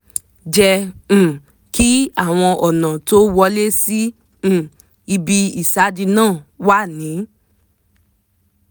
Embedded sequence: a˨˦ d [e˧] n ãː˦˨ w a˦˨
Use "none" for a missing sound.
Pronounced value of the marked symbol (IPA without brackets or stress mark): i˧